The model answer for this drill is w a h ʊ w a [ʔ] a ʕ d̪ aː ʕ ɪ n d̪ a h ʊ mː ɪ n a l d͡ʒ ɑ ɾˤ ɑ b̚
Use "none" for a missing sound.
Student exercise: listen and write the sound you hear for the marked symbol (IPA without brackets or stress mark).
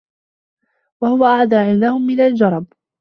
ʔ